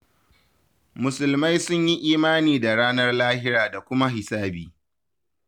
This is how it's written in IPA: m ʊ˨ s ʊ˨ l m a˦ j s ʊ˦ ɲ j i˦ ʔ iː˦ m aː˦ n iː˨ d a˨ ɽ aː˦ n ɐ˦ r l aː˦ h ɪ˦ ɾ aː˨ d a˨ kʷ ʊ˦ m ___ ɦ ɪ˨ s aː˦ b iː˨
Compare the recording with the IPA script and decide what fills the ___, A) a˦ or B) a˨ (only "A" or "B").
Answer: A